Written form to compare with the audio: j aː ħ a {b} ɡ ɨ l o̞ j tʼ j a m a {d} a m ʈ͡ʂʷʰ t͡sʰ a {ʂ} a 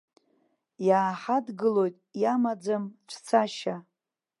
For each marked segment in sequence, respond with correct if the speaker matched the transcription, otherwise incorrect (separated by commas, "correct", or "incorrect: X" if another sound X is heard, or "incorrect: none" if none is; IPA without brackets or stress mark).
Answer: incorrect: d, incorrect: d͡z, incorrect: ʃ